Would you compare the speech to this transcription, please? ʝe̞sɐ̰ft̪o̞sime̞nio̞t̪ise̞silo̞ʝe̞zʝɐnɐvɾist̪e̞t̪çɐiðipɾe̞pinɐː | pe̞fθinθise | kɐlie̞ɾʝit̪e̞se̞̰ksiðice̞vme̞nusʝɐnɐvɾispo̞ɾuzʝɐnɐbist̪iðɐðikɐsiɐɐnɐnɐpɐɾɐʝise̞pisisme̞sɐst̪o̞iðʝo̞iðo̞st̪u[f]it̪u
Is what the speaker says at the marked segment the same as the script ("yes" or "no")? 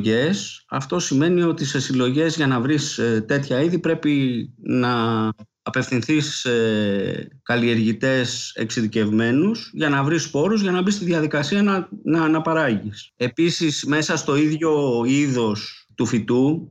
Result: yes